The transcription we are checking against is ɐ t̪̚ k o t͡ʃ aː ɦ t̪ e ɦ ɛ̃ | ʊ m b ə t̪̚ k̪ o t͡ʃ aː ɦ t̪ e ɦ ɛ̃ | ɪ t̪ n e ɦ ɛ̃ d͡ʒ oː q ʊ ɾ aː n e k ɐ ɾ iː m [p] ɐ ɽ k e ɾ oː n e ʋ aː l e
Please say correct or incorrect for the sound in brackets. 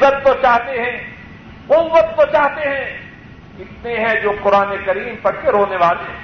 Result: correct